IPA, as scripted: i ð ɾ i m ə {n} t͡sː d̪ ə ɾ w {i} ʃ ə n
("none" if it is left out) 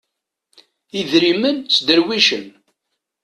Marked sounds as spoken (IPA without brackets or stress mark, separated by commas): n, i